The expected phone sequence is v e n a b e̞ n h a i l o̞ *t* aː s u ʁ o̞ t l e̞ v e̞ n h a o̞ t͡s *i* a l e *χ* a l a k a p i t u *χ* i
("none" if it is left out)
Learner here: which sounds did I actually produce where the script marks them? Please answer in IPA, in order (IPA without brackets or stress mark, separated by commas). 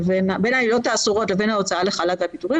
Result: t, a, χ, ʁ